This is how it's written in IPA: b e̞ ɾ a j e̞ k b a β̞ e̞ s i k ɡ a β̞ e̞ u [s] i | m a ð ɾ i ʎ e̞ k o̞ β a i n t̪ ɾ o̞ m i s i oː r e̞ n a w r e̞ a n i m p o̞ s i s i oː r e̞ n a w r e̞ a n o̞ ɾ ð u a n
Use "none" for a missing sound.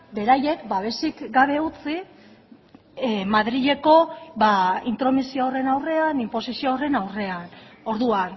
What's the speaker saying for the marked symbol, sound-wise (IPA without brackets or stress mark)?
t͡s